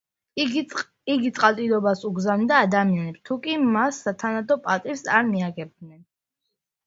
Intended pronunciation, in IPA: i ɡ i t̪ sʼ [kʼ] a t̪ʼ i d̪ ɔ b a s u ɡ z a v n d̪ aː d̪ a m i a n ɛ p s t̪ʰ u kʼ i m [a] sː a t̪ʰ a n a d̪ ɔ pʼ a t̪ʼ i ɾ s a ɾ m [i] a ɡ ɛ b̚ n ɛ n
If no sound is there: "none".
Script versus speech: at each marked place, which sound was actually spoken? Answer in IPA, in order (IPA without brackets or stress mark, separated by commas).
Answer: qʼ, a, i